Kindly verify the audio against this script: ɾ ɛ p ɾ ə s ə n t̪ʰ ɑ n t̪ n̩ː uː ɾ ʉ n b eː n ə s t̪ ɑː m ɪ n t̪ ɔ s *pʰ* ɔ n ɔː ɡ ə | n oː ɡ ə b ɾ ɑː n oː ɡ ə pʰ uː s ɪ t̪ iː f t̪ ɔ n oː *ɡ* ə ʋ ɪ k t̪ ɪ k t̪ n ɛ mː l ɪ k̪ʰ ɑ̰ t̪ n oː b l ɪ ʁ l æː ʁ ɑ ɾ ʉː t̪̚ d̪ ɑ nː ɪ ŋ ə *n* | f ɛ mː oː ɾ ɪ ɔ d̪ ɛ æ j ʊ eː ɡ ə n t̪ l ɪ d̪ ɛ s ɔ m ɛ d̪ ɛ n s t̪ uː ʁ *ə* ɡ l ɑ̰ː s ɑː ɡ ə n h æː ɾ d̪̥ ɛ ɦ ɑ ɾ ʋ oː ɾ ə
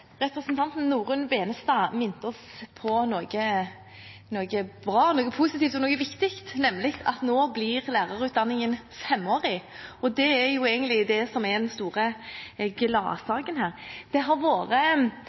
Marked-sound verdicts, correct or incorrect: correct, correct, correct, correct

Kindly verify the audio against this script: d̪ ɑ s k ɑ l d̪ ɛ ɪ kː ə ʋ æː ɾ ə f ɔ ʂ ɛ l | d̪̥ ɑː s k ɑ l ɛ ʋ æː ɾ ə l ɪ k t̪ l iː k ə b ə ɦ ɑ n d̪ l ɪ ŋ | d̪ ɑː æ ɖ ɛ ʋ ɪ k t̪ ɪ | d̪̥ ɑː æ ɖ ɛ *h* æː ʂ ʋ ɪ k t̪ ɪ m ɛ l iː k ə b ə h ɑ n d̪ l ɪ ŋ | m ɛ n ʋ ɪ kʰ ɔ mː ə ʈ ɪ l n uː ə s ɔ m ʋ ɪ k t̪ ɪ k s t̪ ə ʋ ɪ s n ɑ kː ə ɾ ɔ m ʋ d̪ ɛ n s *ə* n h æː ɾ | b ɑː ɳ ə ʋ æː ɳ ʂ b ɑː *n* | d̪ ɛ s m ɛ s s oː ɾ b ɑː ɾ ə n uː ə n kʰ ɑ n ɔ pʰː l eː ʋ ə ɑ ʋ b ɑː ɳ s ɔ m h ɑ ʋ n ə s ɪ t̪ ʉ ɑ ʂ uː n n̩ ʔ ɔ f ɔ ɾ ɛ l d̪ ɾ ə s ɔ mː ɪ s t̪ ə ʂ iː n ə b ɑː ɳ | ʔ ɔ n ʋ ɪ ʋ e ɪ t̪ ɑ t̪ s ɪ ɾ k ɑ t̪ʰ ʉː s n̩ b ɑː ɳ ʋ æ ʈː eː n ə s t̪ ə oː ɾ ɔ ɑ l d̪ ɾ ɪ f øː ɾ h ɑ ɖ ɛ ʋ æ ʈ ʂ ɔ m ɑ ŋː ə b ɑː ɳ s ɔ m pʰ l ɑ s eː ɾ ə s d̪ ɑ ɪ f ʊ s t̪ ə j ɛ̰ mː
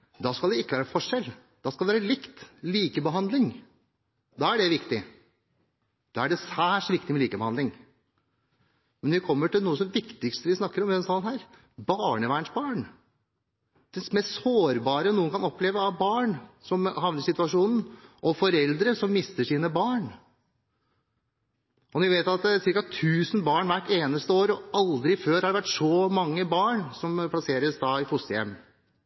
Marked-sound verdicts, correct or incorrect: incorrect, incorrect, incorrect

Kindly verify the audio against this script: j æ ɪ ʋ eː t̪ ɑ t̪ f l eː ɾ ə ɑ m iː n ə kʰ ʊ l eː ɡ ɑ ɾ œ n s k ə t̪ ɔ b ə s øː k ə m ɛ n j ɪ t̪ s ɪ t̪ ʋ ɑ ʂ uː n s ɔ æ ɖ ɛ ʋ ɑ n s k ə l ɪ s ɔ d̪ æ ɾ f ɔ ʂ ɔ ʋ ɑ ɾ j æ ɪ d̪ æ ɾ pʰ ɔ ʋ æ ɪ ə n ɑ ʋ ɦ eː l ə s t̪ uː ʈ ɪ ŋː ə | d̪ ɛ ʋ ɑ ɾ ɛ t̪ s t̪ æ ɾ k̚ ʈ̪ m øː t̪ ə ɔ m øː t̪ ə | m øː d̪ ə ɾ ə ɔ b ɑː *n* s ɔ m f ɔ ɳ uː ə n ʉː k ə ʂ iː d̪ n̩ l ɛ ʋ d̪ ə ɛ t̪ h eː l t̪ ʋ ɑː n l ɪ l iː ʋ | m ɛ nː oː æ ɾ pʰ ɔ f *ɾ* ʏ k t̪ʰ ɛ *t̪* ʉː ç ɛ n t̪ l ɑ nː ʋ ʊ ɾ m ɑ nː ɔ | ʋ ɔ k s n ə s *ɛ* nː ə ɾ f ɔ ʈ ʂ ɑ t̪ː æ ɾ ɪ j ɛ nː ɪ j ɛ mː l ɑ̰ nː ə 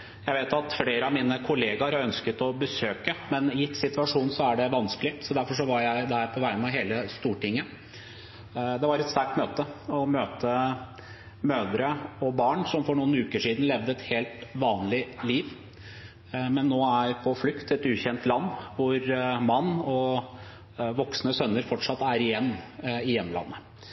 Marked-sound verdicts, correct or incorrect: incorrect, incorrect, correct, incorrect

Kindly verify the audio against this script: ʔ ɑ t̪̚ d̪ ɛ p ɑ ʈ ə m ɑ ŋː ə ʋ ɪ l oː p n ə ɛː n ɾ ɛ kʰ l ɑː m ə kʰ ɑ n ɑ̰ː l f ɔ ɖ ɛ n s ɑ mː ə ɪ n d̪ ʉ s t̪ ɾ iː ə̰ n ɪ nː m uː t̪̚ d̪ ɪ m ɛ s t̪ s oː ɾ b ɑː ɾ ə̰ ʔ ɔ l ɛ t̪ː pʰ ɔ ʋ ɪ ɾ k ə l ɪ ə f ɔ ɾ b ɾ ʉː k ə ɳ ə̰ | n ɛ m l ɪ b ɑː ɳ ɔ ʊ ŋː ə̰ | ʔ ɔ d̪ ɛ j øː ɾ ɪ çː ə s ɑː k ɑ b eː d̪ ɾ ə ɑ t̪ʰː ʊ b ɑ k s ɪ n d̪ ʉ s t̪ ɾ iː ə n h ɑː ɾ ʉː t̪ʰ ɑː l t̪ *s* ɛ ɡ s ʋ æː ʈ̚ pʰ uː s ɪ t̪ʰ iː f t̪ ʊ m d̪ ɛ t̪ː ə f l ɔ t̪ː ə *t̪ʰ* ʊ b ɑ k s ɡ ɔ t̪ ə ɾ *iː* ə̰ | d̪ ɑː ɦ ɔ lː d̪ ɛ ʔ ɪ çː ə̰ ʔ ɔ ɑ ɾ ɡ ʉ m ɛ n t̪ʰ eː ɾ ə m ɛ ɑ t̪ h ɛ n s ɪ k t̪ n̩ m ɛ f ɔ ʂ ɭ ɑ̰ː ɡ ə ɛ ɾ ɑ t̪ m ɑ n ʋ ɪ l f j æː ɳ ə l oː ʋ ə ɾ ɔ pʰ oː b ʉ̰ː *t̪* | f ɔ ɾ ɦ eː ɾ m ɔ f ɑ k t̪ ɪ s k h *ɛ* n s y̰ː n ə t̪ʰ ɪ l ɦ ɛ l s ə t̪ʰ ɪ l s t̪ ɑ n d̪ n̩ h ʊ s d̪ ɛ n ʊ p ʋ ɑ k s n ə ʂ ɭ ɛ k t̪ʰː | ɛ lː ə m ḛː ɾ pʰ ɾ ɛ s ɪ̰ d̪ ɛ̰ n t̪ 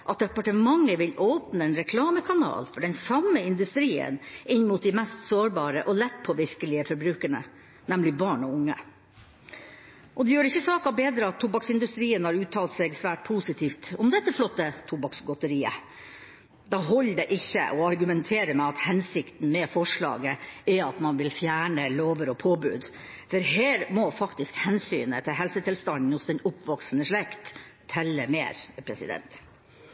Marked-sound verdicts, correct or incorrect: correct, correct, correct, incorrect, correct

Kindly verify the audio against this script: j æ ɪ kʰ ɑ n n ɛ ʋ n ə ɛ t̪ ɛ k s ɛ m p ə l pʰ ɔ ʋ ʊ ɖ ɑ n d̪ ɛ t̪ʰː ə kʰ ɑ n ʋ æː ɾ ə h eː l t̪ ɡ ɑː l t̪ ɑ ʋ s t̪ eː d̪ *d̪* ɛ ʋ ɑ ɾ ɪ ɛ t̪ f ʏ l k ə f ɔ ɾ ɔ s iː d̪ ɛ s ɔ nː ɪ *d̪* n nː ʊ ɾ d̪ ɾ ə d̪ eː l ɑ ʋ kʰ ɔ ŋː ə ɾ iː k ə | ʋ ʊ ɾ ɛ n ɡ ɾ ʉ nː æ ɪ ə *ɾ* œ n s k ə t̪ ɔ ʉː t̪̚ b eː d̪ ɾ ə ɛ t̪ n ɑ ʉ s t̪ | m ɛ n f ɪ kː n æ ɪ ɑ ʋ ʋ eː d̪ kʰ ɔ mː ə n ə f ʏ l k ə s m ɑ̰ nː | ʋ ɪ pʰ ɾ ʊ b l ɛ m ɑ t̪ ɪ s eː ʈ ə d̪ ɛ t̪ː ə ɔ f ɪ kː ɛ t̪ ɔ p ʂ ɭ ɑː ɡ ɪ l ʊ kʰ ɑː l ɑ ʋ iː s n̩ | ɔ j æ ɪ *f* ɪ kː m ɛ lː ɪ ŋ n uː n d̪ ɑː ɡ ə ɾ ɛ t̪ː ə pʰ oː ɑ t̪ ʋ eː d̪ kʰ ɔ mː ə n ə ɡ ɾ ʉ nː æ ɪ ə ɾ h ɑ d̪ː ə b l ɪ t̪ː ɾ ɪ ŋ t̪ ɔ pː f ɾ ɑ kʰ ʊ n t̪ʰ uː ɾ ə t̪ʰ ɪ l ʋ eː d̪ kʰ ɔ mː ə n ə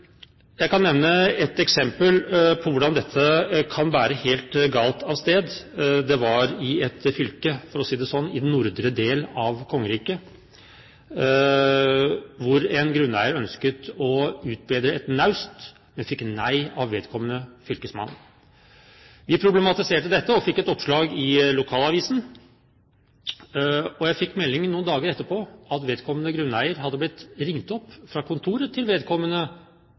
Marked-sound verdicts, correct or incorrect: correct, correct, correct, correct

